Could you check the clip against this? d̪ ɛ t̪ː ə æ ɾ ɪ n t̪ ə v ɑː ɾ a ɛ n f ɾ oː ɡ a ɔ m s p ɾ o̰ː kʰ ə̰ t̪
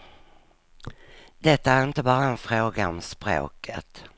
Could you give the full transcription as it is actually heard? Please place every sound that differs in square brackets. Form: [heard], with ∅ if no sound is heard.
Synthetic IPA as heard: d̪ ɛ t̪ː [a] æ ɾ ɪ n t̪ ə [b] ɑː ɾ a ɛ n f ɾ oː ɡ a ɔ m s p ɾ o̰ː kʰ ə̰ t̪